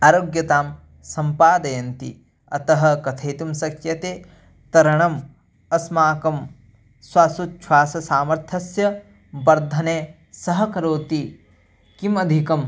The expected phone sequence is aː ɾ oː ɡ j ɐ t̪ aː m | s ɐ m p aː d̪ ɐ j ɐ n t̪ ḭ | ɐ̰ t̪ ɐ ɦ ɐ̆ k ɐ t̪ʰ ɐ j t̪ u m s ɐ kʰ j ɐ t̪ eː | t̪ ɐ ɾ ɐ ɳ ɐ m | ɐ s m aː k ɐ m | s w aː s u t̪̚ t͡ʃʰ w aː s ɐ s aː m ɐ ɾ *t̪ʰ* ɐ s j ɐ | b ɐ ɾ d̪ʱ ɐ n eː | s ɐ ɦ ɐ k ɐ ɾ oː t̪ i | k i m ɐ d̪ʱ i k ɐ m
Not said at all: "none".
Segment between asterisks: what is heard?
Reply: t̪ʰ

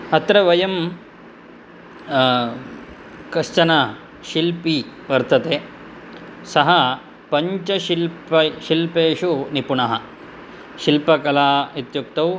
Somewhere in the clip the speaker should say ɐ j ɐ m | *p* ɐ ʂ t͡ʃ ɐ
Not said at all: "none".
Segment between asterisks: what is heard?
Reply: k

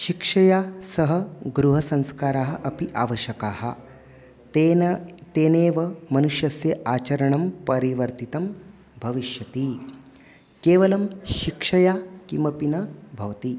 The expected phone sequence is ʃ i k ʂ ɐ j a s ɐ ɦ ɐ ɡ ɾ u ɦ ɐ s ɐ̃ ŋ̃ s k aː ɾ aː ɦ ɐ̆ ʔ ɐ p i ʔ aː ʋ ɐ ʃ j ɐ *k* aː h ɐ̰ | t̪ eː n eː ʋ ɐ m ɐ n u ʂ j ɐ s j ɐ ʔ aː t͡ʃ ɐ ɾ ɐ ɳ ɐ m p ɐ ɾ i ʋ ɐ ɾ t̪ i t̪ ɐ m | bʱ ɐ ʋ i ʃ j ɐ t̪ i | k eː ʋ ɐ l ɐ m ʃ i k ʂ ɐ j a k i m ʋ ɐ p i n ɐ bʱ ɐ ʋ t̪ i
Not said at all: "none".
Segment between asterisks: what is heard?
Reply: k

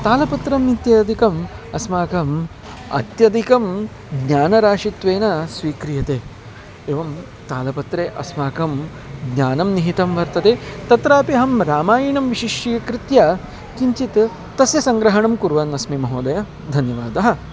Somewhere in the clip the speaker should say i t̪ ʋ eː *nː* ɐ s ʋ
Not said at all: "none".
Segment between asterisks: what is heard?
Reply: n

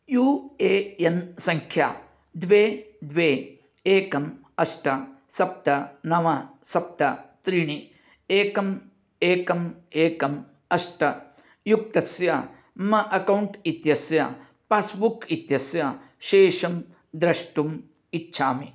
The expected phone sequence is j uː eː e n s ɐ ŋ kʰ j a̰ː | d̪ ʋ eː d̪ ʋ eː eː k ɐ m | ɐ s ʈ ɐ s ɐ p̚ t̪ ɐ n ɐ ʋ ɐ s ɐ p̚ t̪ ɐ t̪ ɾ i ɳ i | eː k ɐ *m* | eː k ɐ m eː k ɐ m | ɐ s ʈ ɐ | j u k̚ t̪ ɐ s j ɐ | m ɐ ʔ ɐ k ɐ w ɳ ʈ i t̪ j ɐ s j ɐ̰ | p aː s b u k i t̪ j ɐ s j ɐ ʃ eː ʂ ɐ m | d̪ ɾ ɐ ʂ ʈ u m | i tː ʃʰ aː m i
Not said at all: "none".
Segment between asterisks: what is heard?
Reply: m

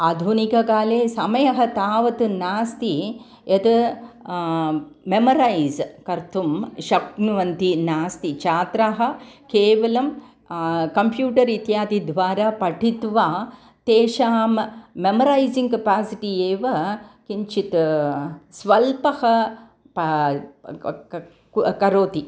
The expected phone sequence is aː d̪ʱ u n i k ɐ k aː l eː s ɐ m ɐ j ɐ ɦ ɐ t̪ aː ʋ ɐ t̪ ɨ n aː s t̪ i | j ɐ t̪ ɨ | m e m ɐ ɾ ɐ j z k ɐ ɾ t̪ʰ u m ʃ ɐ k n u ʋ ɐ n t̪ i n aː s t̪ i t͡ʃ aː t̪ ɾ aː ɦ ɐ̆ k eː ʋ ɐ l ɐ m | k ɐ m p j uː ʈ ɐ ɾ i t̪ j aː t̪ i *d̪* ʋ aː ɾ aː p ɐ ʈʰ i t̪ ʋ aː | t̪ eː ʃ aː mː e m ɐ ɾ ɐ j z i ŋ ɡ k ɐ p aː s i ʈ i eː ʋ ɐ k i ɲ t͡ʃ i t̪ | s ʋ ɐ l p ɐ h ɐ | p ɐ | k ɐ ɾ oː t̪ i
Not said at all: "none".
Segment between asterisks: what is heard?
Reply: d̪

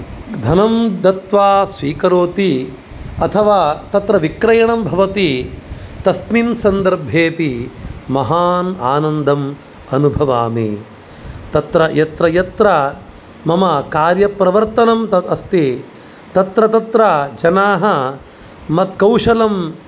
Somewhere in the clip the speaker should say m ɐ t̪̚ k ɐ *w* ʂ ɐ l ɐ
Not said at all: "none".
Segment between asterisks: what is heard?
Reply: w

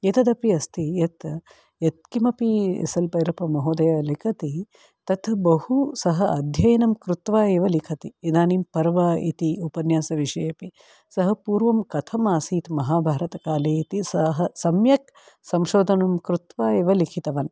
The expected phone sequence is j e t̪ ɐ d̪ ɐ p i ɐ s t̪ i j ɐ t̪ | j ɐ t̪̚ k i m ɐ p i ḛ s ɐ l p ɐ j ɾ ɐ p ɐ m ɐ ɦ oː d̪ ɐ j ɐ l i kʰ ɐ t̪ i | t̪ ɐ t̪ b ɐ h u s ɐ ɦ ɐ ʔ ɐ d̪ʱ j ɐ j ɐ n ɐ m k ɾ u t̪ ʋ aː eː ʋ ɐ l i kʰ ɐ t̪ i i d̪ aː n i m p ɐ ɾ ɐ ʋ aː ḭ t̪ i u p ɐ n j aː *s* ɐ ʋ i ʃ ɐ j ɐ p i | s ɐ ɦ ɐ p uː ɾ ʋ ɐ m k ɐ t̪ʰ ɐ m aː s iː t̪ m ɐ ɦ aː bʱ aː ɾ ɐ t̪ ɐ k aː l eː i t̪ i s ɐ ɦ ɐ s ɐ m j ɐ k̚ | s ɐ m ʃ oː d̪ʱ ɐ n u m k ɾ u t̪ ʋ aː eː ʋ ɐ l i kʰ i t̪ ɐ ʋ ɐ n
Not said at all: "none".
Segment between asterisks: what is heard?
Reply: s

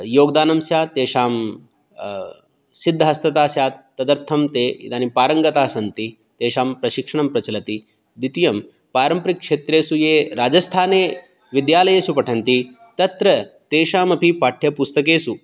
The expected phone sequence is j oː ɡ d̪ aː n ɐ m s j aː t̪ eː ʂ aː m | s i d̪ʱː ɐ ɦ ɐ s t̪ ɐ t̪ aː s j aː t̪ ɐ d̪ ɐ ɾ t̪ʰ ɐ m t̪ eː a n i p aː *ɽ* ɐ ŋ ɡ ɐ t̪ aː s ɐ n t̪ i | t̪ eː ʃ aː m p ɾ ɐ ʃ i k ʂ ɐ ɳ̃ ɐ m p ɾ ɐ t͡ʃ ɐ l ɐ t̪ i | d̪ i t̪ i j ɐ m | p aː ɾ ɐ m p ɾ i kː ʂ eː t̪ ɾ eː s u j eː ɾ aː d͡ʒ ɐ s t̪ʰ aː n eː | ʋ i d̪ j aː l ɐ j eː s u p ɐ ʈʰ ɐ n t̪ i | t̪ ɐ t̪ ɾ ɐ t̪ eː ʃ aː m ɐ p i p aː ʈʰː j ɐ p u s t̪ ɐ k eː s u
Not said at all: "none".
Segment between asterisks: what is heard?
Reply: ɾ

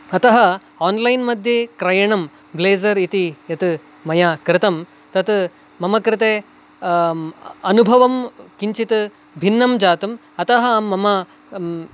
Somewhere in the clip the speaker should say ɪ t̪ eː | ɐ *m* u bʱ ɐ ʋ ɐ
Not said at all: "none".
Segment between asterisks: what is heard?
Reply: n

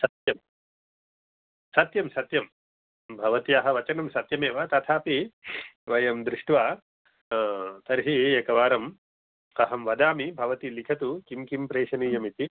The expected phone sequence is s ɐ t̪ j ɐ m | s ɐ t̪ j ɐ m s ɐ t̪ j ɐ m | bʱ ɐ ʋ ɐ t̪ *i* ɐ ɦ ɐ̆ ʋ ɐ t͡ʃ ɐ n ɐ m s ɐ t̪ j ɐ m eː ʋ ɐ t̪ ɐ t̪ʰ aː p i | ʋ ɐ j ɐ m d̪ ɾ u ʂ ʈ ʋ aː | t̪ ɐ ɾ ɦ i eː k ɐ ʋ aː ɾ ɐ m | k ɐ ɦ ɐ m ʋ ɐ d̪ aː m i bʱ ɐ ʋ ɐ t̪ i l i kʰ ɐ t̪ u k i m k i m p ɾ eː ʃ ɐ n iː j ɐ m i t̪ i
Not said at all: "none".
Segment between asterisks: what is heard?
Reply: i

